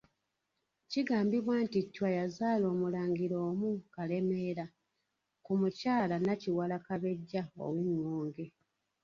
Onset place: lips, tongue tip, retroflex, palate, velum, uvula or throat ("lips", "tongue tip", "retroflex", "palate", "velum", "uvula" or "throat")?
palate